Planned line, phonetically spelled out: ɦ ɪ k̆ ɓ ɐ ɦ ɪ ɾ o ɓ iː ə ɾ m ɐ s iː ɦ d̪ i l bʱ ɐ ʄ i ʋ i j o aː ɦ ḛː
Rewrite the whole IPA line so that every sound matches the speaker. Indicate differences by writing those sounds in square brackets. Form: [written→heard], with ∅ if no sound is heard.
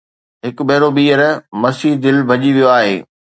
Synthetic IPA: ɦ ɪ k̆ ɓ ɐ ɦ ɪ ɾ o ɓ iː ə ɾ m ɐ s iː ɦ d̪ [i→ɪ] l bʱ ɐ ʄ i ʋ i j o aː ɦ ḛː